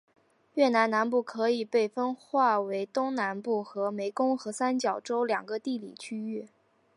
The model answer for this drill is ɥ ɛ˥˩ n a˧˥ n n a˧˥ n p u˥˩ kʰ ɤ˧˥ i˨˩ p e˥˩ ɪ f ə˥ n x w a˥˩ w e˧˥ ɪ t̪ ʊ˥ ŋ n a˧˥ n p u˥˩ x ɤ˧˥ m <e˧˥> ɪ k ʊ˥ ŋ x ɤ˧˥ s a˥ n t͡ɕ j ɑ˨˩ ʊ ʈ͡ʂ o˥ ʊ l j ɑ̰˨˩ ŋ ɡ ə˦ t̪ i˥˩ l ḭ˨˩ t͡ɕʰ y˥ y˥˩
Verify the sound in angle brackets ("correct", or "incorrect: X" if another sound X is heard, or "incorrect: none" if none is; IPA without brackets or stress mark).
correct